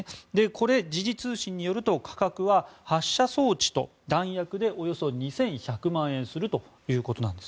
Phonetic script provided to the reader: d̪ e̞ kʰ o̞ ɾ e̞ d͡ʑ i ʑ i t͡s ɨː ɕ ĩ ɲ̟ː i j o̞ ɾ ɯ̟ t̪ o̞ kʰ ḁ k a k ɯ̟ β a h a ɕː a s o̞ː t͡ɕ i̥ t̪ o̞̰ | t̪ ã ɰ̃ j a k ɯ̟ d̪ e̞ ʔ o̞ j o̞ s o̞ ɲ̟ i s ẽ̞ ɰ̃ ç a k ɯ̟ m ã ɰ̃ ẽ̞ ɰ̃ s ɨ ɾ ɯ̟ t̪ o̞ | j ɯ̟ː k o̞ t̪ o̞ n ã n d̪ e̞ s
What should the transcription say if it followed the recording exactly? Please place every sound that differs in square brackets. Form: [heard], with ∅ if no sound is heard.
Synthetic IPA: d̪ e̞ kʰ o̞ ɾ e̞ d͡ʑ i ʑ i t͡s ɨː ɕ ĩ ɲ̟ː i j o̞ ɾ ɯ̟ t̪ o̞ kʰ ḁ k a k ɯ̟ β a h a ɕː a s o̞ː t͡ɕ i̥ t̪ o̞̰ | [d̪] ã ɰ̃ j a k ɯ̟ d̪ e̞ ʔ o̞ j o̞ s o̞ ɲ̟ i s ẽ̞ ɰ̃ ç a k ɯ̟ m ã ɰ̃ ẽ̞ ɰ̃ s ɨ ɾ ɯ̟ t̪ o̞ | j ɯ̟ː k o̞ t̪ o̞ n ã n d̪ e̞ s